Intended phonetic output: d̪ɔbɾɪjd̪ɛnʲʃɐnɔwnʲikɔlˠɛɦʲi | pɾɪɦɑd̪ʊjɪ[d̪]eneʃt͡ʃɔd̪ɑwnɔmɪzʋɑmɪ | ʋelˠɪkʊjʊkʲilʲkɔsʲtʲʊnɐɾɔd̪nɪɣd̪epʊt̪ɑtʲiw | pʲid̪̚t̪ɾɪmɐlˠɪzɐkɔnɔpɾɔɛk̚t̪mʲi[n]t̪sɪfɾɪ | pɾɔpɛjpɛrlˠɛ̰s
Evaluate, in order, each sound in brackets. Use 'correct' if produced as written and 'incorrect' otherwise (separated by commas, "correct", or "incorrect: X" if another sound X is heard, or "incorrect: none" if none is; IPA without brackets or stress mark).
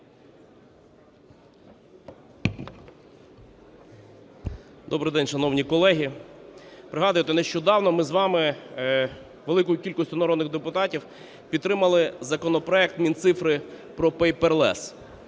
incorrect: t̪, correct